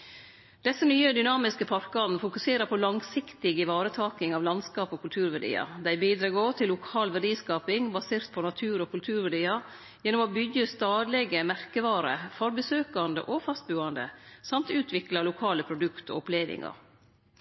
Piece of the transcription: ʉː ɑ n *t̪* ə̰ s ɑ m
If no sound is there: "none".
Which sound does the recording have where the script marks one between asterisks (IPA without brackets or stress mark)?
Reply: d̪